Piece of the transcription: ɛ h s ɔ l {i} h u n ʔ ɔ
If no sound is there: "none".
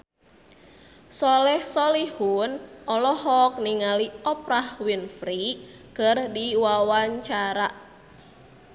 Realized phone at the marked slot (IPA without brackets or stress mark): i